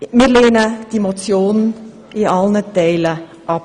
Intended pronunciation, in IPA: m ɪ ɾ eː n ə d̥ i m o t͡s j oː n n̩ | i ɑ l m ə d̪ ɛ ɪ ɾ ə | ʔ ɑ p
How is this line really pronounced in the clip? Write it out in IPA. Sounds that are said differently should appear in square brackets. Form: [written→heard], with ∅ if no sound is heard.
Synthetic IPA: m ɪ [ɾ→l] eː n ə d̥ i m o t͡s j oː n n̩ | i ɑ l [m→n] ə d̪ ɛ ɪ [ɾ→l] ə | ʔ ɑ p